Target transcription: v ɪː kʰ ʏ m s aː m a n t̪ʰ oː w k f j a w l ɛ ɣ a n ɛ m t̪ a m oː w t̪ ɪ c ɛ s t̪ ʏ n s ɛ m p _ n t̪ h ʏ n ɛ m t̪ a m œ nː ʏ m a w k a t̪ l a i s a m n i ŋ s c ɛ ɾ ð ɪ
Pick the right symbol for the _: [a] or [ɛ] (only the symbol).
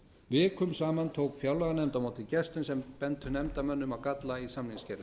ɛ